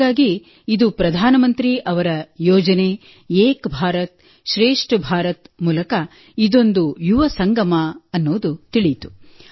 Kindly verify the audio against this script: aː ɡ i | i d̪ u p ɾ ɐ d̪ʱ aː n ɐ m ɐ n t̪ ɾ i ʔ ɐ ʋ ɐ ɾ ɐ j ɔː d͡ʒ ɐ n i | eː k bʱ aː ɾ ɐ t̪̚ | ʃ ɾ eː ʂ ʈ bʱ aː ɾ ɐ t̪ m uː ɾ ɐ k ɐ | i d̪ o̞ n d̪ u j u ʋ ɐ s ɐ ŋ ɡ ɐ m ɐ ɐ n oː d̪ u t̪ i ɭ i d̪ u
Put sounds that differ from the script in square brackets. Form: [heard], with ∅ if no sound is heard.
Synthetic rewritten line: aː ɡ i | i d̪ u p ɾ ɐ d̪ʱ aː n ɐ m ɐ n t̪ ɾ i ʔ ɐ ʋ ɐ ɾ ɐ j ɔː d͡ʒ ɐ n [e] | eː k bʱ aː ɾ ɐ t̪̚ | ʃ ɾ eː ʂ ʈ bʱ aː ɾ ɐ t̪ m uː [l] ɐ k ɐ | i d̪ o̞ n d̪ u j u ʋ ɐ s ɐ ŋ ɡ ɐ m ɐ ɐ [nː] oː d̪ u t̪ i ɭ i [t̪] u